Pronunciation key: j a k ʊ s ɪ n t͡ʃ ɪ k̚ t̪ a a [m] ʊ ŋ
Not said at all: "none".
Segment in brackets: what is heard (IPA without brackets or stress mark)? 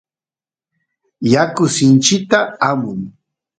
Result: m